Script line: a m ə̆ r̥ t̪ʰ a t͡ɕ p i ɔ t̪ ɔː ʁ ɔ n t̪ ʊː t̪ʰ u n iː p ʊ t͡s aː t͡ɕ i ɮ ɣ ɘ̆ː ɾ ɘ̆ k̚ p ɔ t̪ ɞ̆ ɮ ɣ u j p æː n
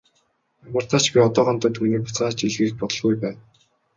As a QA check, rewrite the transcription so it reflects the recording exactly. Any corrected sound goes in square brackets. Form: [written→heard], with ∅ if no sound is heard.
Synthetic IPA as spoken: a m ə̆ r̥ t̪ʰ a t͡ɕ p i ɔ t̪ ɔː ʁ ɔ n t̪ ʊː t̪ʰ u n iː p ʊ t͡s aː t͡ɕ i ɮ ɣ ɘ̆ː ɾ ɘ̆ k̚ p ɔ t̪ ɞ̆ ɮ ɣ u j p æː n